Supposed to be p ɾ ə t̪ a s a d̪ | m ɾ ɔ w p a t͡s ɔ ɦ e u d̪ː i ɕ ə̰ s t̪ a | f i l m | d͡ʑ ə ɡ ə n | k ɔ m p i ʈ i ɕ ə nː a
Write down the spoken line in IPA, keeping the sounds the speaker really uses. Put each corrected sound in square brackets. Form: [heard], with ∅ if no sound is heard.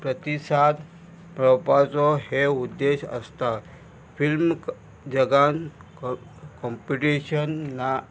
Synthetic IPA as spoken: p ɾ ə t̪ [i] s a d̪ | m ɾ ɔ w p a t͡s ɔ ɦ e u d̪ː [e] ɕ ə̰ s t̪ a | f i l m | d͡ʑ ə ɡ [a] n | k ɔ m p i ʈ i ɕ ə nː a

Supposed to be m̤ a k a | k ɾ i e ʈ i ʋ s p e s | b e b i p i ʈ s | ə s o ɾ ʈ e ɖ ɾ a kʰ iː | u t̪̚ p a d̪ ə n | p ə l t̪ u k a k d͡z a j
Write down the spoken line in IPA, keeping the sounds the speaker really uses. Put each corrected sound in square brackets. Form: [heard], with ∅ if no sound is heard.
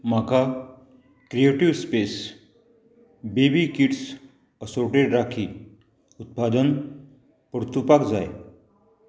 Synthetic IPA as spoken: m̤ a k a | k ɾ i e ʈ i ʋ s p e s | b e b i [k] i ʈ s | ə s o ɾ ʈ e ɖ ɾ a kʰ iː | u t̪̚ p a d̪ ə n | p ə [ɾ] t̪ u [p] a k d͡z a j

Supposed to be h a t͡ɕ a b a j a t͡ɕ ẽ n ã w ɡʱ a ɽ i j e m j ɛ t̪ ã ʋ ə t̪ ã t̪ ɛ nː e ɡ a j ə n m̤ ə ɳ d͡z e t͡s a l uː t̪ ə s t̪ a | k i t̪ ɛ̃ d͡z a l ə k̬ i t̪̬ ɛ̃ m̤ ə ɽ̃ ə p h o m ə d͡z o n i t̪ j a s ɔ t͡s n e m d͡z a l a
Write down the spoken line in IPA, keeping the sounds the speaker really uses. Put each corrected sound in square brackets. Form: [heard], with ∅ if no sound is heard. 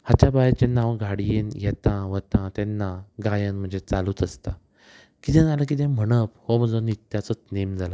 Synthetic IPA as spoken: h a t͡ɕ a b a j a t͡ɕ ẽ n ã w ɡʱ a ɽ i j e [n] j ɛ t̪ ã ʋ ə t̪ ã t̪ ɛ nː [a] ɡ a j ə n m̤ ə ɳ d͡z e t͡s a l uː t̪ ə s t̪ a | k i t̪ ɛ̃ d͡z a l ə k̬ i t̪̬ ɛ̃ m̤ ə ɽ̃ ə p h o m ə d͡z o n i t̪ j a [t͡s] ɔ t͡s n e m d͡z a l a

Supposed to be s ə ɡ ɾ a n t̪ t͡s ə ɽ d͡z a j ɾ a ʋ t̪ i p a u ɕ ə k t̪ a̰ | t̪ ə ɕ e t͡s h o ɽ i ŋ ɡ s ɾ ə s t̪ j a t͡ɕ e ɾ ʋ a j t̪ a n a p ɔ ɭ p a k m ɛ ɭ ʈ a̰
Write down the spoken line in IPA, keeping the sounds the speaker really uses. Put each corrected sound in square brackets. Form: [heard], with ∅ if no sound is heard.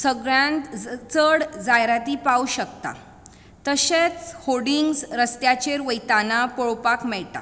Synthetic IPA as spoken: s ə ɡ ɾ a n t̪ t͡s ə ɽ d͡z a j ɾ a [∅] t̪ i p a u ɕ ə k t̪ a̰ | t̪ ə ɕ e t͡s h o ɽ i ŋ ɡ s ɾ ə s t̪ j a t͡ɕ e ɾ ʋ [ə] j t̪ a n a p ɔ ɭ p a k m ɛ ɭ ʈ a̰

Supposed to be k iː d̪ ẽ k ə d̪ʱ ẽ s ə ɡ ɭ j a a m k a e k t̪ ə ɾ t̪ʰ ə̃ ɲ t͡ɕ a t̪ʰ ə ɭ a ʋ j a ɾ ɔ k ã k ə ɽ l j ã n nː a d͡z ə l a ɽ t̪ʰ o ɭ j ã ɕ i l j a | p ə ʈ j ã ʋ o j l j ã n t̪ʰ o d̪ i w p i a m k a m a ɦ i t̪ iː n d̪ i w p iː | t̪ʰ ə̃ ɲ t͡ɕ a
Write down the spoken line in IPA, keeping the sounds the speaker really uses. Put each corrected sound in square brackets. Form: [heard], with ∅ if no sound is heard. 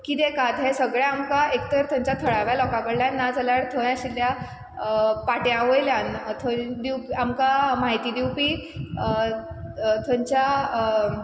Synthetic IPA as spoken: k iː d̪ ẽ k [a] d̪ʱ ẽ s ə ɡ ɭ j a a m k a e k t̪ ə ɾ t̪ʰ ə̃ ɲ t͡ɕ a t̪ʰ ə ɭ a ʋ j a [l] ɔ k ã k ə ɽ l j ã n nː a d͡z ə l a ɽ t̪ʰ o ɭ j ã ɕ i l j a | p [a] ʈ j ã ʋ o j l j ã n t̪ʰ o d̪ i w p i a m k a m a ɦ i t̪ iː [∅] d̪ i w p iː | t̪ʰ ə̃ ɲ t͡ɕ a

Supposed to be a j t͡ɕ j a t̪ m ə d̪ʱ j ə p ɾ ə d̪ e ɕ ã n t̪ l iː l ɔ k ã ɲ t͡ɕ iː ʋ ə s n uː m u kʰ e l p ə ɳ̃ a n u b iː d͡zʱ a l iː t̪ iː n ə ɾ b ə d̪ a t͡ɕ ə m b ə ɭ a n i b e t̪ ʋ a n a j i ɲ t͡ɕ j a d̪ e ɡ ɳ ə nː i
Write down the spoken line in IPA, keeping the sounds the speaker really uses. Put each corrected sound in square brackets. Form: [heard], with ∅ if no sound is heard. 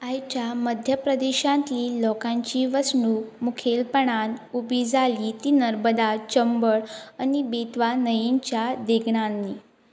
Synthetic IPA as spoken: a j t͡ɕ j a [∅] m ə d̪ʱ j ə p ɾ ə d̪ e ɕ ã n t̪ l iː l ɔ k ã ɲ t͡ɕ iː ʋ ə s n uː m u kʰ e l p ə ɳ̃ a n u b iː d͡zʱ a l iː t̪ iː n ə ɾ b ə d̪ a t͡ɕ ə m b ə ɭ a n i b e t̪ ʋ a n [ə] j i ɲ t͡ɕ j a d̪ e ɡ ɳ [a] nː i

